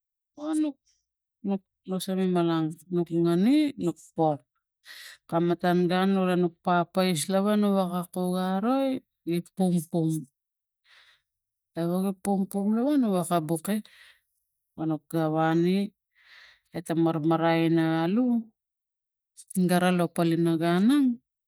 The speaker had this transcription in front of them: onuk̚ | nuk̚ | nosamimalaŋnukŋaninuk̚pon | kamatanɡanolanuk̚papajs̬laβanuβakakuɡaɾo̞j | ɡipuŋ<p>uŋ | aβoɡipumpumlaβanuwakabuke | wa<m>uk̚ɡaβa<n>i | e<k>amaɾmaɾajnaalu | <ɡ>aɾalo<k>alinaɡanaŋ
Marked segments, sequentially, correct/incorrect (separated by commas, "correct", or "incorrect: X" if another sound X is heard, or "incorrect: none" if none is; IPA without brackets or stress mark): correct, incorrect: n, correct, incorrect: t, correct, incorrect: p